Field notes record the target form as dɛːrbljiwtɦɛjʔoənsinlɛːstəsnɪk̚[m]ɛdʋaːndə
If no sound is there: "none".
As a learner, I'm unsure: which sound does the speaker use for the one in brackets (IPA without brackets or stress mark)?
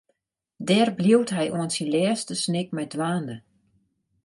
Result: m